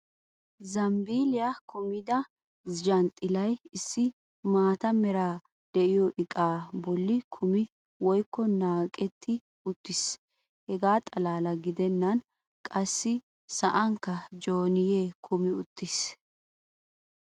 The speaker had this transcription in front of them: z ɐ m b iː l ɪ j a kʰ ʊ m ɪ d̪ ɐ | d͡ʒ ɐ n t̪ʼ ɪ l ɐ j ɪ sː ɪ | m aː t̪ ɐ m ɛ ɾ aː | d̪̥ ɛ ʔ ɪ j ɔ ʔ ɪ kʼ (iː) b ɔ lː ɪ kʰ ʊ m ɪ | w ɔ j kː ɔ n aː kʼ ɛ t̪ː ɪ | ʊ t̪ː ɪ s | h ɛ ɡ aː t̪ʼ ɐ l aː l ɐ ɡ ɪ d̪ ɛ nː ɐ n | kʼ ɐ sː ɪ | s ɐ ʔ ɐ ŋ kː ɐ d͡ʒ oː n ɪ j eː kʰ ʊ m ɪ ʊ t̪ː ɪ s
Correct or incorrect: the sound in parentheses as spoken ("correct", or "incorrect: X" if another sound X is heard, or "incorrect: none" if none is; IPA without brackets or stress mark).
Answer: incorrect: aː